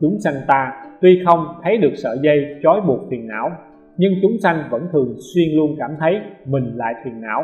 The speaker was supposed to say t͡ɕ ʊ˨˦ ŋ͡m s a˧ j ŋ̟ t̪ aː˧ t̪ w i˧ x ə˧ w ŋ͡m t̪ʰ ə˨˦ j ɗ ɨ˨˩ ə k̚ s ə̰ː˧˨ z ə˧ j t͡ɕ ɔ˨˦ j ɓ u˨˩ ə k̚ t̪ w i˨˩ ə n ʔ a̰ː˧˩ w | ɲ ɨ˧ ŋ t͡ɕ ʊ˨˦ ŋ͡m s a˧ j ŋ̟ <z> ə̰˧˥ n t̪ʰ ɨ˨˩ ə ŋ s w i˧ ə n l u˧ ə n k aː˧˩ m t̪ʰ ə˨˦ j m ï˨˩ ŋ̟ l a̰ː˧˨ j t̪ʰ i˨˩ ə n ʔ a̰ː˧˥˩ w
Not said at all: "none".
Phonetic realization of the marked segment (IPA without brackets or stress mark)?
v